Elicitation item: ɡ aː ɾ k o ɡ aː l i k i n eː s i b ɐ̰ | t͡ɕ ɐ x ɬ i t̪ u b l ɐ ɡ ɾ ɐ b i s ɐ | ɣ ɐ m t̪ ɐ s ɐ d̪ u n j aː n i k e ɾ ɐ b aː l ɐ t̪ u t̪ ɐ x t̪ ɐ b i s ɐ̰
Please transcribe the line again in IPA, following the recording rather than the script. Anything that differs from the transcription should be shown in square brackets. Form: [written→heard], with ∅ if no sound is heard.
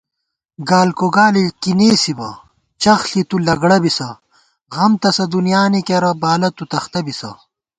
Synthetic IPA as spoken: ɡ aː [ɾ→l] k o ɡ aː l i k i n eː s i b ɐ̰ | t͡ɕ ɐ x ɬ i t̪ u [b→∅] l ɐ ɡ [ɾ→ɽ] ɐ b i s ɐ | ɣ ɐ m t̪ ɐ s ɐ d̪ u n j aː n i k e ɾ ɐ b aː l ɐ t̪ u t̪ ɐ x t̪ ɐ b i s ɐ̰